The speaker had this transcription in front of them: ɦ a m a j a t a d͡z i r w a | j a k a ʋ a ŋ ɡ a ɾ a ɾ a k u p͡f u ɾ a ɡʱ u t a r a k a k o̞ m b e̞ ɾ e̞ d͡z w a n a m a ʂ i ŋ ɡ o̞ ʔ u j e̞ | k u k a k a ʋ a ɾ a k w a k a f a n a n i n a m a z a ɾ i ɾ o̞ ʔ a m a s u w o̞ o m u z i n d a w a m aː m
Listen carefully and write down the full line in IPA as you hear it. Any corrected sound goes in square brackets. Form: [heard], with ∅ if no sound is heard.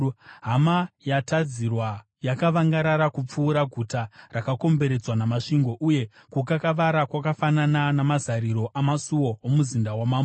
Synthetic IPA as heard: ɦ a m a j a t a d͡z i r w a | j a k a ʋ a ŋ ɡ a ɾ a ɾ a k u p͡f [uː] ɾ a ɡʱ u t a r a k a k o̞ m b e̞ ɾ e̞ d͡z w a n a m a ʂ i ŋ ɡ o̞ ʔ u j e̞ | k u k a k a ʋ a ɾ a k w a k a f a n a n [a] n a m a z a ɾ i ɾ o̞ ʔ a m a s u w o̞ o m u z i n d a w a m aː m

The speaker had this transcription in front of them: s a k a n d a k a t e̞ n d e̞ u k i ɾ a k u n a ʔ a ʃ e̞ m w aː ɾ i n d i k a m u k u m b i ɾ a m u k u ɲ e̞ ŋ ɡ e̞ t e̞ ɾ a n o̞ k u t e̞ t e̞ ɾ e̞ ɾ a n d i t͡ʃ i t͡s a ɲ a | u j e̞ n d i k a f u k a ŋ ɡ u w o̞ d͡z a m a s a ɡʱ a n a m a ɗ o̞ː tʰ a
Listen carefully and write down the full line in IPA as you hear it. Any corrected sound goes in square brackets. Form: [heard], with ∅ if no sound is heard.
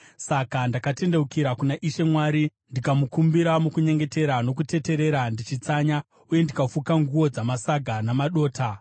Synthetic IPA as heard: s a k a n d a k a t e̞ n d e̞ u k i ɾ a k u n a ʔ [i] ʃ e̞ m w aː ɾ i n d i k a m u k u m b i ɾ a m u k u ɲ e̞ ŋ ɡ e̞ t e̞ ɾ a n o̞ k u t e̞ t e̞ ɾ e̞ ɾ a n d i t͡ʃ i t͡s a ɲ a | u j e̞ n d i k a f u k a ŋ ɡ u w o̞ d͡z a m a s a ɡʱ a n a m a ɗ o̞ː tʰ a

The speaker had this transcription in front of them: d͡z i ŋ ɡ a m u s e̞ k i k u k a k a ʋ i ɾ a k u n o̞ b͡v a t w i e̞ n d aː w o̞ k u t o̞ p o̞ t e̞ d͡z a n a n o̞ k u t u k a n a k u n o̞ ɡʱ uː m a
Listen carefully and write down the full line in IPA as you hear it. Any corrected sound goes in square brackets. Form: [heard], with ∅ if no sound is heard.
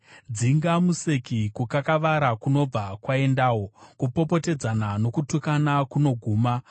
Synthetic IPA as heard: d͡z i ŋ ɡ a m u s e̞ k i k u k a k a ʋ [a] ɾ a k u n o̞ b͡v a [k] w [a] e̞ n d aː w o̞ k u [p] o̞ p o̞ t e̞ d͡z a n a n o̞ k u t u k a n a k u n o̞ ɡʱ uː m a

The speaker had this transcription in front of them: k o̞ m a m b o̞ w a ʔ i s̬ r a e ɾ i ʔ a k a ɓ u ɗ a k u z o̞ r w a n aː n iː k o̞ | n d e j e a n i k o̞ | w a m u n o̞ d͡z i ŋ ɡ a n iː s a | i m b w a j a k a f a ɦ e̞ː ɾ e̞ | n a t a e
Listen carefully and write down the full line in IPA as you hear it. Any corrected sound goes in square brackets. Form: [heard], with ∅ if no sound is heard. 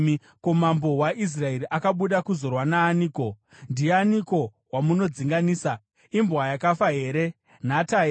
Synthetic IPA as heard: k o̞ m a m b o̞ w a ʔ i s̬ r a e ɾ i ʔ a k a ɓ u ɗ a k u z o̞ r w a n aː n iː k o̞ | n d [i] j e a n i k o̞ | w a m u n o̞ d͡z i ŋ ɡ a n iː s a | i m b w a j a k a f a ɦ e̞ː ɾ e̞ | n a t a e

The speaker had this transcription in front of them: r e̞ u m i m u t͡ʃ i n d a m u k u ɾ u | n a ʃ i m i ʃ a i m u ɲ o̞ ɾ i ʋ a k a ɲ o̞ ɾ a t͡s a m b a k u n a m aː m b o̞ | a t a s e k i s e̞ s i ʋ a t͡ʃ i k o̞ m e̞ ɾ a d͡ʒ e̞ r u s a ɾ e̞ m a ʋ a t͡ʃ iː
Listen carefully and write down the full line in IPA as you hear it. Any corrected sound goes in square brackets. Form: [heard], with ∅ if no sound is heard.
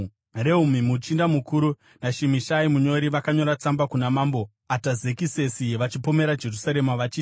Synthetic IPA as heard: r e̞ u m i m u t͡ʃ i n d a m u k u ɾ u | n a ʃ i m i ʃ a i m u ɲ o̞ ɾ i ʋ a k a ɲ o̞ ɾ a t͡s a m b a k u n a m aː m b o̞ | a t a [z] e k i s e̞ s i ʋ a t͡ʃ i [p] o̞ m e̞ ɾ a d͡ʒ e̞ r u s a ɾ e̞ m a ʋ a t͡ʃ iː

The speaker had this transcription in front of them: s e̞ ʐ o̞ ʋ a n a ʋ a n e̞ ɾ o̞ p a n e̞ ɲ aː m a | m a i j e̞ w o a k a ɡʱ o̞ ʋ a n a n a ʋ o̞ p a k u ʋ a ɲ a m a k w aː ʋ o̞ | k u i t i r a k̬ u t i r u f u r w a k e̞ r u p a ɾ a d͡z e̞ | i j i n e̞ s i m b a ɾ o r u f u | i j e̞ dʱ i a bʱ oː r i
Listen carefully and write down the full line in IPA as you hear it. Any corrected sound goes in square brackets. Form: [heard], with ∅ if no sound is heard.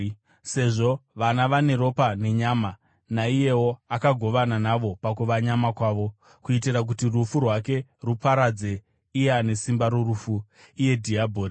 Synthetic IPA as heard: s e̞ ʐ o̞ ʋ a n a ʋ a n e̞ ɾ o̞ p a n e̞ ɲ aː m a | [n] a i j e̞ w o a k a ɡʱ o̞ ʋ a n a n a ʋ o̞ p a k u ʋ a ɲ a m a k w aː ʋ o̞ | k u i t i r a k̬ u t i r u f u r w a k e̞ r u p a ɾ a d͡z e̞ | i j [a] n e̞ s i m b a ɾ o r u f u | i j e̞ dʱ i a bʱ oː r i

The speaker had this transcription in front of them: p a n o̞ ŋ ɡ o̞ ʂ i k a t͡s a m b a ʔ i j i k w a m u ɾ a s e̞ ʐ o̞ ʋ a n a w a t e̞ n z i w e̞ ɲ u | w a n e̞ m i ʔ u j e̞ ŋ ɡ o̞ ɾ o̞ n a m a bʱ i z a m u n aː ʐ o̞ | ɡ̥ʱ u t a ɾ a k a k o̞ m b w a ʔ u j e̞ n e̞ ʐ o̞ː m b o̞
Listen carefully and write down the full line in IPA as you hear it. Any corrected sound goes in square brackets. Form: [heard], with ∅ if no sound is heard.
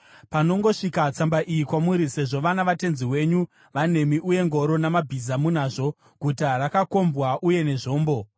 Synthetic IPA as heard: p a n o̞ ŋ ɡ o̞ ʂ i k a t͡s a m b a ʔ i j i k w a m u ɾ [i] s e̞ ʐ o̞ ʋ a n a [ʋ] a t e̞ n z i w e̞ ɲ u | [ʋ] a n e̞ m i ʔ u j e̞ ŋ ɡ o̞ ɾ o̞ n a m a bʱ i z a m u n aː ʐ o̞ | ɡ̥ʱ u t a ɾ a k a k o̞ m b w a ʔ u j e̞ n e̞ ʐ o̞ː m b o̞

